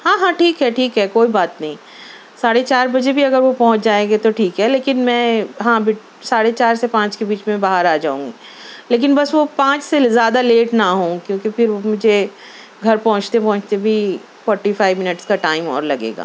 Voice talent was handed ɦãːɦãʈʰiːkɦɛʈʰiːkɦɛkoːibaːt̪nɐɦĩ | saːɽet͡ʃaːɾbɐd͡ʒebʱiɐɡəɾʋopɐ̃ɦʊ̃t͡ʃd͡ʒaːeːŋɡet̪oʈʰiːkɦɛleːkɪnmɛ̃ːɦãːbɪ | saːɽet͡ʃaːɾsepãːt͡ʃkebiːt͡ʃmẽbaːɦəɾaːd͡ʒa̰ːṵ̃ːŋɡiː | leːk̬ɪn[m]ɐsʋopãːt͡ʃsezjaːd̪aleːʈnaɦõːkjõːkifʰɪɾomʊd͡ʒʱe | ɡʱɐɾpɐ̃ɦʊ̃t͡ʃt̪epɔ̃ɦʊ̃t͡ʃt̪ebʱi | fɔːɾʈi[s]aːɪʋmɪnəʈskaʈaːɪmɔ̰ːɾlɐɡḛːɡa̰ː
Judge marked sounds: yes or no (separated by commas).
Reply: no, no